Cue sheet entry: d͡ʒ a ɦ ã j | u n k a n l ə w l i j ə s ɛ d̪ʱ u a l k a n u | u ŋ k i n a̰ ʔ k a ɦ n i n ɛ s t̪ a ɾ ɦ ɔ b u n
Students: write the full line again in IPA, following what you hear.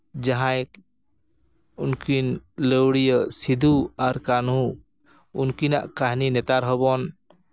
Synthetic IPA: d͡ʒ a ɦ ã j | u n k i n l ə w ɽ i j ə s i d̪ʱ u a ɾ k a n u | u n k i n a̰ ʔ k a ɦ n i n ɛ t̪ a ɾ ɦ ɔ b ɔ n